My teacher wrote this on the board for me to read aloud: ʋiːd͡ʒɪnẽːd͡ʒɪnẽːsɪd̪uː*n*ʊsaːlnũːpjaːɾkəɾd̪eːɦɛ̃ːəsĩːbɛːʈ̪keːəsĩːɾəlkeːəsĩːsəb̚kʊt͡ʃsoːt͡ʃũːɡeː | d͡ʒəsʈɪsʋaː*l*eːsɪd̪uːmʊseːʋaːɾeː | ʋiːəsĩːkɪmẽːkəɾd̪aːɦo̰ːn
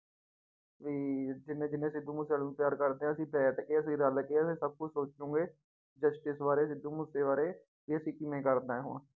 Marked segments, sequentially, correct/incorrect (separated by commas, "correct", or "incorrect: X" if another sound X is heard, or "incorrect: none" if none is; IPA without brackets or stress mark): incorrect: m, incorrect: ɾ